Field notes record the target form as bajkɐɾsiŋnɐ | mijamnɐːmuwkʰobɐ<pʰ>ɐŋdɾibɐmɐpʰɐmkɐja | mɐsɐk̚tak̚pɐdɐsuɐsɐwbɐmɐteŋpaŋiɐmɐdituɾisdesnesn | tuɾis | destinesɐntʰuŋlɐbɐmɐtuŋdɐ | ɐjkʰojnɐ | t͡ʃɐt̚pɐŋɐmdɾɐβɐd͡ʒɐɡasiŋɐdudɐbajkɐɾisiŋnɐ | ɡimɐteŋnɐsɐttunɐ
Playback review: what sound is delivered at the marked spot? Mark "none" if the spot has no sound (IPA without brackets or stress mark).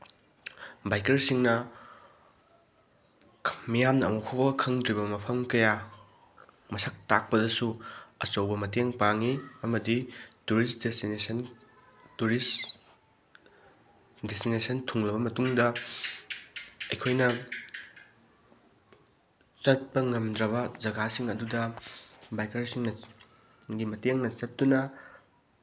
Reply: kʰ